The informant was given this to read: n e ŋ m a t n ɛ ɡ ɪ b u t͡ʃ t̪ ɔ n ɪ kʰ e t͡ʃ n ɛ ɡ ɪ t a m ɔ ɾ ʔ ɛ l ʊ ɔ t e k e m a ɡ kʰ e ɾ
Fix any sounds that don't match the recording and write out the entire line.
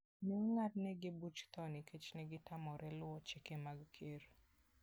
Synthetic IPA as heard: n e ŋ ŋ a t n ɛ ɡ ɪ b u t͡ʃ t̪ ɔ n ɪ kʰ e t͡ʃ n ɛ ɡ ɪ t a m ɔ ɾ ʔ ɛ l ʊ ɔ t͡ʃ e k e m a ɡ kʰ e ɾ